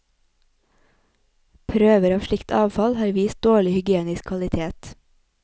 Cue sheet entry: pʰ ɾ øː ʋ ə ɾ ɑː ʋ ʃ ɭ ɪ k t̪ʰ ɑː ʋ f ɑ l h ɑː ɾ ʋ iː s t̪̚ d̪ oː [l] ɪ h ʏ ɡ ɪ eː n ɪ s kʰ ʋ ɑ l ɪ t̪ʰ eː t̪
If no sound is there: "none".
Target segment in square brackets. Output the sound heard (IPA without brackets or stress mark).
ɭ